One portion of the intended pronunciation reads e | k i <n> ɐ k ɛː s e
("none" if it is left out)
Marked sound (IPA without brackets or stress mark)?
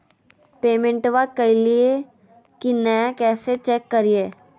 n